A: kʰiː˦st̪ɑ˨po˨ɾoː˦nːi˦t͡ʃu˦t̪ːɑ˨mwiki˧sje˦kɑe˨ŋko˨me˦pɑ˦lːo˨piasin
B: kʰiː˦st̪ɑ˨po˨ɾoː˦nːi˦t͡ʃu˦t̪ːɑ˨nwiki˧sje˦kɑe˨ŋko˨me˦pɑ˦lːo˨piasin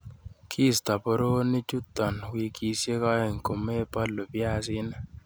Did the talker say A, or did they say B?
B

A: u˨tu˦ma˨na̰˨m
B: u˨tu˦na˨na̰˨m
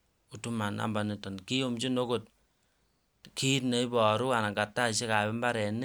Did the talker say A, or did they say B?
A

